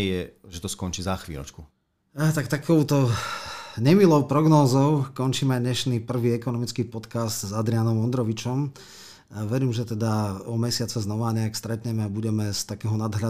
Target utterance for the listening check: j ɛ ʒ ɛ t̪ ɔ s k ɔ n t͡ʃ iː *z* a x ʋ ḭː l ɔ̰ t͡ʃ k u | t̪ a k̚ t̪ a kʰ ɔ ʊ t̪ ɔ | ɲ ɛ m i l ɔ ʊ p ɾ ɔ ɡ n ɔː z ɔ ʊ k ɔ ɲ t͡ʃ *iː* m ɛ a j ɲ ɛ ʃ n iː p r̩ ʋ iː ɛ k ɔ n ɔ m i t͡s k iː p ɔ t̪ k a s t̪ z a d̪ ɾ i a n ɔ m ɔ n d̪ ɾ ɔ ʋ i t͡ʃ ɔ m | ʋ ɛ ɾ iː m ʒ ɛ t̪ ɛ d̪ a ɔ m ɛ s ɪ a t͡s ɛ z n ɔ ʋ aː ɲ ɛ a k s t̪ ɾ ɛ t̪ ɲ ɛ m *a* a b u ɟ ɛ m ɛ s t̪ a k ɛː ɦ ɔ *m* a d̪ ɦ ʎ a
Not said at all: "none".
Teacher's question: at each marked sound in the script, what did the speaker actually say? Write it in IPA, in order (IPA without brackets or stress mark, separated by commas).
z, iː, ɛ, n